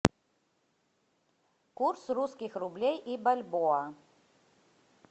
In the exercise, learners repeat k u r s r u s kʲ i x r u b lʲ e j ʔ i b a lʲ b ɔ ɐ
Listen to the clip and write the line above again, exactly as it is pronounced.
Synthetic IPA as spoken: k u r s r u s kʲ i x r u b lʲ e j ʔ i b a lʲ b ɔ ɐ